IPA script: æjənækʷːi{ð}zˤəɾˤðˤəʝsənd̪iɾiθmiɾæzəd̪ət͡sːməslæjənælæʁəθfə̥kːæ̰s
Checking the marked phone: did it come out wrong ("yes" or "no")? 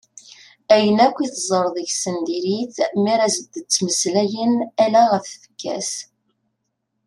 yes